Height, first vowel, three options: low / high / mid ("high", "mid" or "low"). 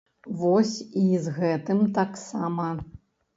mid